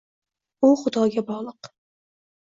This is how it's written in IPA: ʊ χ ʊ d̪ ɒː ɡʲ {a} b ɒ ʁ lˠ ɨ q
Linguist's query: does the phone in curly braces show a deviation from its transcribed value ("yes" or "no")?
no